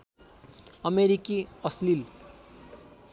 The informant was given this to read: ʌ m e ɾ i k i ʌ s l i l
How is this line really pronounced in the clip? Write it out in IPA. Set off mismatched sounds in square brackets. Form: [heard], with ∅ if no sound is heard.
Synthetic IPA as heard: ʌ m e ɾ i k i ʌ s l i l